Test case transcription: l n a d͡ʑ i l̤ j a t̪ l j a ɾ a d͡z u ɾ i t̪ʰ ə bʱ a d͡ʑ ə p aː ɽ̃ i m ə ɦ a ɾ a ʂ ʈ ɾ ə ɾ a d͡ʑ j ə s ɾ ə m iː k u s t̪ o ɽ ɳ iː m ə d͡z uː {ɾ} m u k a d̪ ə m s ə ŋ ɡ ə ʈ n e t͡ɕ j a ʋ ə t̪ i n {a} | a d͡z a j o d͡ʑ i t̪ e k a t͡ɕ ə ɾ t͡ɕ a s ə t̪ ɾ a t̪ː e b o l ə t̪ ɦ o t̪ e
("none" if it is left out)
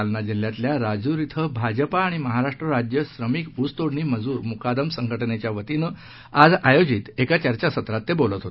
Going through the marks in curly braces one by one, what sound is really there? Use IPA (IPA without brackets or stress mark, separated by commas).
ɾ, ə